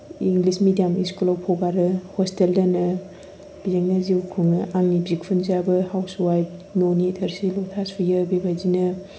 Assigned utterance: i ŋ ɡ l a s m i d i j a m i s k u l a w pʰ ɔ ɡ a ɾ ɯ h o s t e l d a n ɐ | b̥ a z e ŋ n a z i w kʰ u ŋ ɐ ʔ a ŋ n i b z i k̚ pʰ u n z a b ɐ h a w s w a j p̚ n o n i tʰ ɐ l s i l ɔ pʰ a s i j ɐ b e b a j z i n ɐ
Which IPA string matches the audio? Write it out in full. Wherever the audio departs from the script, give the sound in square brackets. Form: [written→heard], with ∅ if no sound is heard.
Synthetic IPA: i ŋ ɡ l [a→i] s m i d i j a m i s k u l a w pʰ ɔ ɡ a ɾ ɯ h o s t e l d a n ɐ | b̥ [a→i] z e ŋ n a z i w kʰ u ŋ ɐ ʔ a ŋ n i b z i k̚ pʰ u n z a b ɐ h a w s w a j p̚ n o n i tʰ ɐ [l→ɾ] s i l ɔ [pʰ→tʰ] a s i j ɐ b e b a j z i n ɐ